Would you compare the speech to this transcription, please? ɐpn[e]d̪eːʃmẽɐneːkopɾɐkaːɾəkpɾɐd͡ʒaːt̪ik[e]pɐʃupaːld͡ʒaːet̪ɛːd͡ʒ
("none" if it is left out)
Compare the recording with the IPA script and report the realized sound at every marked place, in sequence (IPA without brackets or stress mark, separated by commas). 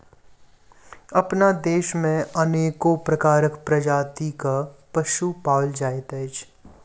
a, a